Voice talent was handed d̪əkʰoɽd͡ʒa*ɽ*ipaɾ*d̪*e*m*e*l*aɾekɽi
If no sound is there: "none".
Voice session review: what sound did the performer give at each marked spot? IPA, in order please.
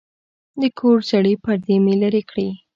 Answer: ɽ, d̪, m, l

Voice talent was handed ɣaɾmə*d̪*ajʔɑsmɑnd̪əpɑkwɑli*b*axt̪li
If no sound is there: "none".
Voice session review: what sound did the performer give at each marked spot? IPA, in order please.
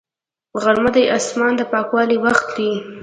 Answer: d̪, w

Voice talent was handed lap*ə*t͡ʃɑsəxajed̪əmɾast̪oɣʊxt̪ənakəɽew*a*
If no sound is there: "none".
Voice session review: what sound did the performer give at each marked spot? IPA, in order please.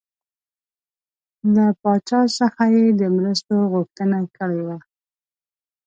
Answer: ɑ, a

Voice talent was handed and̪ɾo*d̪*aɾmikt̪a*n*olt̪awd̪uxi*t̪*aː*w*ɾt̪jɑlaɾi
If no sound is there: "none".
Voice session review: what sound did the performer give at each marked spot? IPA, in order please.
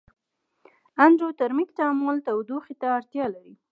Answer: t̪, m, t̪, none

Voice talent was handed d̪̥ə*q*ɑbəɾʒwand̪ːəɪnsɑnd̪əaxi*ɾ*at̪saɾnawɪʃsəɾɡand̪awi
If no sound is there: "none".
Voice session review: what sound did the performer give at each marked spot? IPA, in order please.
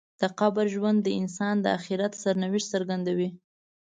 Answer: q, ɾ

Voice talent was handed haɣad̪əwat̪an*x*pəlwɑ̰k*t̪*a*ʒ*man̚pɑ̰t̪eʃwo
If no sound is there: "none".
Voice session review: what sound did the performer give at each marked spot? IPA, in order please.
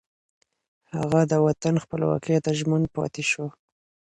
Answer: x, t̪, ʒ

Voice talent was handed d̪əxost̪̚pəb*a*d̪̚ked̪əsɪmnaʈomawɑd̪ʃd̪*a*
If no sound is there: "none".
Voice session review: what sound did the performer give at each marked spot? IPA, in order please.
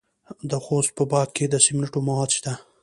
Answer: ɑ, a

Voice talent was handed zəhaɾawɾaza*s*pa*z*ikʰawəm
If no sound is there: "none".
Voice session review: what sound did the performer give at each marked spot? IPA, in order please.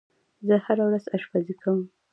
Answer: ʃ, z

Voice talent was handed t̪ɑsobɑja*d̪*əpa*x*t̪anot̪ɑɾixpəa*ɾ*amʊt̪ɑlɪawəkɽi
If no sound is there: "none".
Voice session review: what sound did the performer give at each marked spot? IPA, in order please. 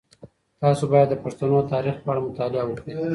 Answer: d̪ː, ʂ, ɽ

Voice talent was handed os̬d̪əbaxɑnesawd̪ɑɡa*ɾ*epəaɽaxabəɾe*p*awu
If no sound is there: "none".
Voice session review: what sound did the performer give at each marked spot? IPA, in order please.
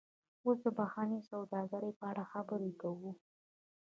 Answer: ɾ, k

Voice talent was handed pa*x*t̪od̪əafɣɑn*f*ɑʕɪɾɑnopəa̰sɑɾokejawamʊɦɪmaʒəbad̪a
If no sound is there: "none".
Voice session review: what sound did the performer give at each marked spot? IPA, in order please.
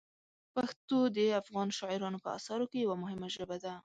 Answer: x, ʃ

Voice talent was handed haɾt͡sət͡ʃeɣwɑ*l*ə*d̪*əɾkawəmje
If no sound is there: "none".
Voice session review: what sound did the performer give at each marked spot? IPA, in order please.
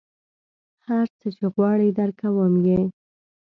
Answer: ɽ, d̪

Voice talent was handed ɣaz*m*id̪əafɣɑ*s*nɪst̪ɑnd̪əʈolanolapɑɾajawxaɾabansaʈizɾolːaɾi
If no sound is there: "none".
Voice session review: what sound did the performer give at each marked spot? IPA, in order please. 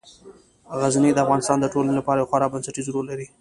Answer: n, none

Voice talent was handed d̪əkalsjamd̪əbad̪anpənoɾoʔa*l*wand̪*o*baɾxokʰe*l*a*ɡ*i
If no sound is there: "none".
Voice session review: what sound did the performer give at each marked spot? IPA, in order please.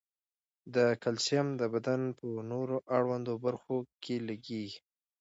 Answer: ɽ, o, l, ɡ

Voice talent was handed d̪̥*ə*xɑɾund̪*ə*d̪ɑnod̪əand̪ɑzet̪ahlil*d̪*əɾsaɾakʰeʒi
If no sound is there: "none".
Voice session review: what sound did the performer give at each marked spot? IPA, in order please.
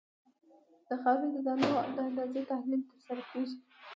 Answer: ə, ə, t̪

